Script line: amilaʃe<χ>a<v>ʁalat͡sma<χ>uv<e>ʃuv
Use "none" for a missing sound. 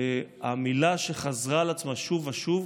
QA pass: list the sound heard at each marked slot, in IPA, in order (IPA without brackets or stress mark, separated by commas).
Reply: χ, z, ʃ, a